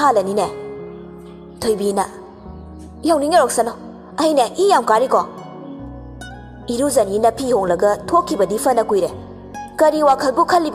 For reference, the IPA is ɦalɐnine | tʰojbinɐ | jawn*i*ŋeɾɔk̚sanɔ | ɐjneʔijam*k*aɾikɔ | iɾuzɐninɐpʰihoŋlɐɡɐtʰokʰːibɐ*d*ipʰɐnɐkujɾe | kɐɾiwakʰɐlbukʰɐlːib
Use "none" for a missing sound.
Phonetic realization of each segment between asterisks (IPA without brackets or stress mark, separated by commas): i, k, d